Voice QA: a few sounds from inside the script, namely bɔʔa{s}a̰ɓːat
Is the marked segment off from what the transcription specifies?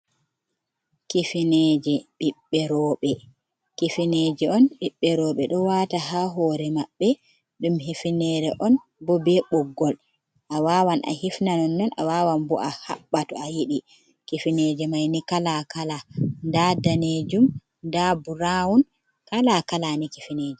yes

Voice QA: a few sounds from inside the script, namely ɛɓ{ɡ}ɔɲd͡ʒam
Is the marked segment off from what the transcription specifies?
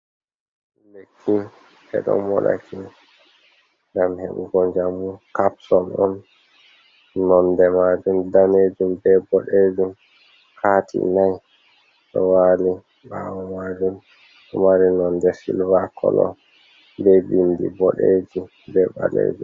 no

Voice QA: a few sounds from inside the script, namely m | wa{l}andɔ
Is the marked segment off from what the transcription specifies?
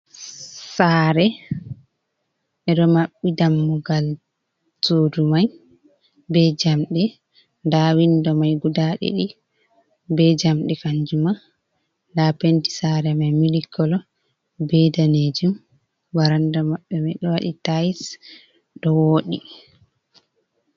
yes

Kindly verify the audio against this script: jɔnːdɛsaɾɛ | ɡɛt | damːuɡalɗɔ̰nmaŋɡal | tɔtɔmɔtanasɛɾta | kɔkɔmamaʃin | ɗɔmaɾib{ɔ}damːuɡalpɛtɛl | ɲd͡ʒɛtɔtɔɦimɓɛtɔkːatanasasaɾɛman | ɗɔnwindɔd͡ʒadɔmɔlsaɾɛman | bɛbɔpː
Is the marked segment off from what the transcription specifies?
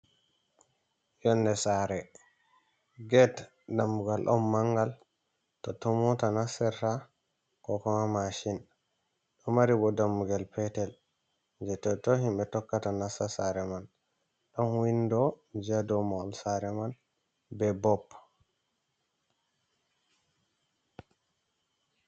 no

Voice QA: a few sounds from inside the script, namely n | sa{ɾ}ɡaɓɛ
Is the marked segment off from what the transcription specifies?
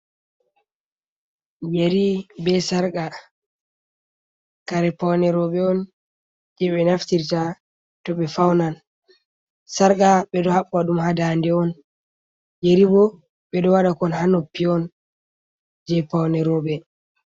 no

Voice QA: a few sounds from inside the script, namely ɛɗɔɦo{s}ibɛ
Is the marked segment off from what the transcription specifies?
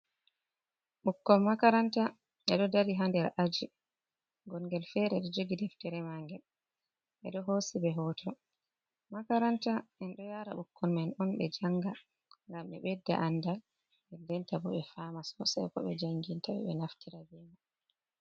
no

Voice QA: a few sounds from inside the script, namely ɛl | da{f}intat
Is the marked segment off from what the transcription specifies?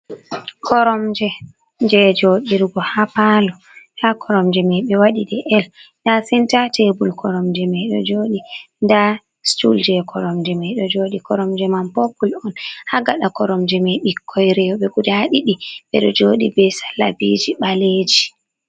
yes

